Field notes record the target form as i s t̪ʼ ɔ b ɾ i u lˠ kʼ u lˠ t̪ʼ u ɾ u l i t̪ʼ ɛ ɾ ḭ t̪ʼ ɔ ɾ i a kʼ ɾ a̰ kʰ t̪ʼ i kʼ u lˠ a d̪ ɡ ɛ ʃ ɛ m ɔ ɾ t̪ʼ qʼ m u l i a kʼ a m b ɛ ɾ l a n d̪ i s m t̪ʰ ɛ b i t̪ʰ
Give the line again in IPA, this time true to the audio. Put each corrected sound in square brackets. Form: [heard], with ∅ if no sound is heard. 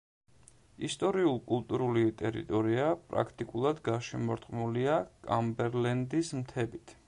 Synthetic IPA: i s t̪ʼ ɔ [∅] ɾ i u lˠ kʼ u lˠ t̪ʼ u ɾ u l i t̪ʼ ɛ ɾ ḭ t̪ʼ ɔ ɾ i a [pʼ] ɾ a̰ kʰ t̪ʼ i kʼ u lˠ a d̪ ɡ [a] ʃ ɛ m ɔ ɾ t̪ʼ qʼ m u l i a kʼ a m b ɛ ɾ l [ɛ] n d̪ i s m t̪ʰ ɛ b i t̪ʰ